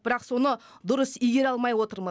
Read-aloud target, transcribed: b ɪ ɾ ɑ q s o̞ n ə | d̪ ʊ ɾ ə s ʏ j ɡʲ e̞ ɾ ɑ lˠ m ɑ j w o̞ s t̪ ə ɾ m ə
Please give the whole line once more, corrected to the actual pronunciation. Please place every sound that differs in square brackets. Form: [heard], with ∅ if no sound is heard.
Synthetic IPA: b ɪ ɾ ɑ q s o̞ n ə | d̪ ʊ ɾ ə s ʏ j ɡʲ e̞ ɾ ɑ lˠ m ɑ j w o̞ [∅] t̪ ə ɾ m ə

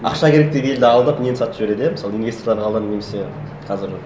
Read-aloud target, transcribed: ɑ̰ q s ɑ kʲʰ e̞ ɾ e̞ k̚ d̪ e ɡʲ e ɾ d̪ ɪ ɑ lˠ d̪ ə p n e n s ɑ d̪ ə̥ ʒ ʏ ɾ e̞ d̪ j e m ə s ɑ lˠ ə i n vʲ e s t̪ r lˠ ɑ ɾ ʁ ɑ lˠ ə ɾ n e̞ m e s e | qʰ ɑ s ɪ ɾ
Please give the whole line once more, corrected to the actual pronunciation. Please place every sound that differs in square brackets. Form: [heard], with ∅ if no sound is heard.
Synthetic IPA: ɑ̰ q [ʃ] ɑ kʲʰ e̞ ɾ e̞ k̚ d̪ e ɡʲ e [l] d̪ ɪ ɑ lˠ d̪ ə p n e n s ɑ [t̪] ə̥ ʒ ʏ ɾ e̞ d̪ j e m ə s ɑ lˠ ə i n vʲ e s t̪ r lˠ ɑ ɾ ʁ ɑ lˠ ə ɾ n e̞ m e s e | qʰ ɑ [z] ɪ ɾ

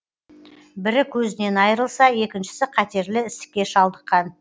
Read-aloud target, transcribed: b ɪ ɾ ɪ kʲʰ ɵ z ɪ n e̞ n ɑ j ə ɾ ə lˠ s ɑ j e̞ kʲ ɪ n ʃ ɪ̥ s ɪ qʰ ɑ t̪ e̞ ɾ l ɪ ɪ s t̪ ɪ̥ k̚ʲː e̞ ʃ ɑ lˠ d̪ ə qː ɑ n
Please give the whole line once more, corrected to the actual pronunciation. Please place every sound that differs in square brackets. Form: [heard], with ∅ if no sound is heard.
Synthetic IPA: b ɪ ɾ ɪ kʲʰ ɵ z ɪ n e̞ n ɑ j ə ɾ ə lˠ s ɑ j e̞ kʲ ɪ n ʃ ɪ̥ s ɪ qʰ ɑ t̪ e̞ ɾ l ɪ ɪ s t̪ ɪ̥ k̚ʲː e̞ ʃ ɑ lˠ d̪ ə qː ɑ n

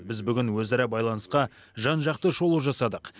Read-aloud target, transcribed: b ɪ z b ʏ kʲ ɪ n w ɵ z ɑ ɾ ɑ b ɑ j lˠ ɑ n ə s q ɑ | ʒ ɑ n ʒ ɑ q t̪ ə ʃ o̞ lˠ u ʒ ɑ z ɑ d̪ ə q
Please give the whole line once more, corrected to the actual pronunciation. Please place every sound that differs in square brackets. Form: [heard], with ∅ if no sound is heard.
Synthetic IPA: b ɪ z b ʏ [ɡʲ] ɪ n w ɵ z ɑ ɾ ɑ b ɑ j lˠ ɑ n ə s q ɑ | ʒ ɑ n ʒ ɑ q t̪ ə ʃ o̞ lˠ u ʒ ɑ [s] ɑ d̪ ə q

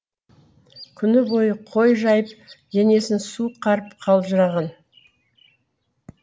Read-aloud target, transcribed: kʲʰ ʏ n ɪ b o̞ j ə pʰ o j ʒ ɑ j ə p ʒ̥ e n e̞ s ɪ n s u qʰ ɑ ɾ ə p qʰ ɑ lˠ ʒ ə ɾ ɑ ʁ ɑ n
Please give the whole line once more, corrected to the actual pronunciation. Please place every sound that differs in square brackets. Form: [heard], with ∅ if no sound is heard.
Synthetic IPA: kʲʰ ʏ n ɪ b o̞ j ə [qʰ] o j ʒ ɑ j ə p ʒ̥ e n e̞ s ɪ n s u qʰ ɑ ɾ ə p qʰ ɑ lˠ ʒ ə ɾ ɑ ʁ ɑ n

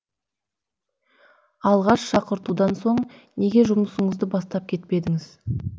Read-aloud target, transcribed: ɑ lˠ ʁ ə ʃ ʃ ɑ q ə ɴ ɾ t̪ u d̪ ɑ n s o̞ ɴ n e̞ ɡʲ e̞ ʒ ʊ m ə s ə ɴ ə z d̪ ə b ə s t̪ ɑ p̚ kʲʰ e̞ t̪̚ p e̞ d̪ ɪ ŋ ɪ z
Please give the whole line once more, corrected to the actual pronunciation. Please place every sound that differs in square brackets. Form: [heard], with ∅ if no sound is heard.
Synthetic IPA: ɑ lˠ ʁ [ɑ] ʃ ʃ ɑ q ə [∅] ɾ t̪ u d̪ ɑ n s o̞ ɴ n e̞ ɡʲ e̞ ʒ ʊ m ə s ə ɴ ə z d̪ ə b [ɑ] s t̪ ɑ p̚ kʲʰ e̞ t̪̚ p e̞ d̪ ɪ ŋ ɪ z

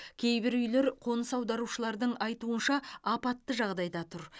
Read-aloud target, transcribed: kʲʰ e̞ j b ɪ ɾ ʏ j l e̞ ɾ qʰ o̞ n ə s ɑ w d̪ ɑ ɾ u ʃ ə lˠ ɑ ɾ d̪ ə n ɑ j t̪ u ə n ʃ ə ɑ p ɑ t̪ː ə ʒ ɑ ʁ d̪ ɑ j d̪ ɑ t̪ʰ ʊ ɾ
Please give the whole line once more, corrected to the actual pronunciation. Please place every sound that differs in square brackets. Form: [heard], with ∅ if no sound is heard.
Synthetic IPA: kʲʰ e̞ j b ɪ ɾ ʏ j l e̞ ɾ qʰ o̞ n ə s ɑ w d̪ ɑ ɾ u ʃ ə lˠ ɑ ɾ d̪ ə [ɴ] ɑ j t̪ u ə n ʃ [ɑ] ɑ p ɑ t̪ː ə ʒ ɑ ʁ d̪ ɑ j d̪ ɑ t̪ʰ ʊ ɾ

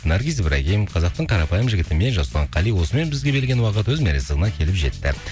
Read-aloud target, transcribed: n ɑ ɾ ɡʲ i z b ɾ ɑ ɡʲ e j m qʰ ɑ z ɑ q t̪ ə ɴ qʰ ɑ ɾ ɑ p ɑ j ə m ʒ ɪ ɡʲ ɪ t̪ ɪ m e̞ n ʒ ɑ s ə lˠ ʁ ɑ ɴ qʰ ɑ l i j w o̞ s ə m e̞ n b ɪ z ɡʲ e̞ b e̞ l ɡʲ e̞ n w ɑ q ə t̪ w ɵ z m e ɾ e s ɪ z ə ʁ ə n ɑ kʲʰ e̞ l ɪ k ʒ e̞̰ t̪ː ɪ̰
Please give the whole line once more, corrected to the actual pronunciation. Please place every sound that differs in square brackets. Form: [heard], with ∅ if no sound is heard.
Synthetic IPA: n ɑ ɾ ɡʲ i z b ɾ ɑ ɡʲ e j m qʰ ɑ z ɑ q t̪ ə ɴ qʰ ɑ ɾ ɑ p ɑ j ə m ʒ ɪ ɡʲ ɪ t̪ ɪ m e̞ n ʒ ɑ s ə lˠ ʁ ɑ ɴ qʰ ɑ l i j w o̞ s ə m e̞ n b ɪ z ɡʲ e̞ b e̞ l ɡʲ e̞ n w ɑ q ə t̪ w ɵ z m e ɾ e s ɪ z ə ʁ ə n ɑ kʲʰ e̞ l ɪ [p] ʒ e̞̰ t̪ː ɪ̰

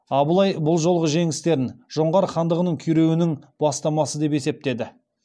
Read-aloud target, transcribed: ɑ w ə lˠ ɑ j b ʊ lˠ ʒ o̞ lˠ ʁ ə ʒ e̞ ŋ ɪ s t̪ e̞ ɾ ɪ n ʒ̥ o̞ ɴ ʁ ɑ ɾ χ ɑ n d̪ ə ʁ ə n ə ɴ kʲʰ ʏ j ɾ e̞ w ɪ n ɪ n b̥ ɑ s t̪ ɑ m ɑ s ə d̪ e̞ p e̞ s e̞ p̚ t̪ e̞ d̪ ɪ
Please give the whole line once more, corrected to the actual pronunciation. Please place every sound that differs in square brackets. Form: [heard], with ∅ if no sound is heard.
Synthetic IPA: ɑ [b] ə lˠ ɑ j b ʊ lˠ ʒ o̞ lˠ ʁ ə ʒ e̞ ŋ ɪ s t̪ e̞ ɾ ɪ n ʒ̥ o̞ ɴ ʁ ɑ ɾ χ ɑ n d̪ ə ʁ ə n ə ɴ kʲʰ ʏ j ɾ e̞ w ɪ n ɪ [ŋ] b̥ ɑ s t̪ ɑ m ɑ s ə d̪ e̞ p e̞ s e̞ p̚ t̪ e̞ d̪ ɪ

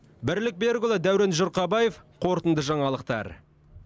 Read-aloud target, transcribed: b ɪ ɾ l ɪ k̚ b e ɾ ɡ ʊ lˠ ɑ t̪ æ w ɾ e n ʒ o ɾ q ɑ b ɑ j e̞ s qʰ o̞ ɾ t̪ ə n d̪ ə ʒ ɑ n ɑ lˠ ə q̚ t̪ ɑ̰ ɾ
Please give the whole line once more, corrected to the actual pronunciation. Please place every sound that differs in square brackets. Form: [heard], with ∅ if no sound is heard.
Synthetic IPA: b ɪ ɾ l ɪ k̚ b e ɾ ɡ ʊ lˠ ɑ [d̪] æ w ɾ e n ʒ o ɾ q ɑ b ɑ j e̞ [f] qʰ o̞ ɾ t̪ ə n d̪ ə ʒ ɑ [ɴ] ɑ lˠ ə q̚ t̪ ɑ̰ ɾ

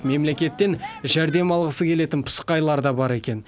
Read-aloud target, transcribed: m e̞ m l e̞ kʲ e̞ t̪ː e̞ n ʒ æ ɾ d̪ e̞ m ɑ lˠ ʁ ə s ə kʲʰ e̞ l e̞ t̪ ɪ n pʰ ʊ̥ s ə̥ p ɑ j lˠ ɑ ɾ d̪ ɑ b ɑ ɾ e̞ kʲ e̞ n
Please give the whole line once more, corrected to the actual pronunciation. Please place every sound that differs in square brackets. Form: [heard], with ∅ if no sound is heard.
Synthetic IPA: m e̞ m l e̞ kʲ e̞ t̪ː e̞ n ʒ æ ɾ d̪ e̞ m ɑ lˠ ʁ ə s ə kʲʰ e̞ l e̞ t̪ ɪ n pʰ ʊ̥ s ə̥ [q] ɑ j lˠ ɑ ɾ d̪ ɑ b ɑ ɾ e̞ kʲ e̞ n

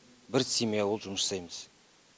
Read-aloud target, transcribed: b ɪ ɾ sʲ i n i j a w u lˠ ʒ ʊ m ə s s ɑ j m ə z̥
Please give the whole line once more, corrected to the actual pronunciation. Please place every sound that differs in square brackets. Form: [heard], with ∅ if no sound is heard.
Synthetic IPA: b ɪ ɾ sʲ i [m] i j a w [o] lˠ ʒ ʊ m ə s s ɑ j m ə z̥

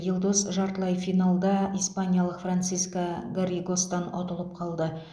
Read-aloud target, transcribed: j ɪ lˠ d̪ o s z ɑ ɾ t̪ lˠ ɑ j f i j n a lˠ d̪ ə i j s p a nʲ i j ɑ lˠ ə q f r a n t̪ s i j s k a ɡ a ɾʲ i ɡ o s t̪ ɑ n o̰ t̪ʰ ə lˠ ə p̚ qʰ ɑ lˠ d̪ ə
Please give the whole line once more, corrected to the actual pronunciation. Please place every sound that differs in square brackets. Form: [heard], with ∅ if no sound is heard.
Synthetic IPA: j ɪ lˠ d̪ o s [ʒ] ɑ ɾ t̪ lˠ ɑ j f i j n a lˠ d̪ [ɑ] i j s p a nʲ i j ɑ lˠ ə q f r a n t̪ s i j s k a ɡ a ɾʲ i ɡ o s t̪ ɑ n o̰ [t̪] ə lˠ ə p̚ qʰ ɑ lˠ d̪ ə

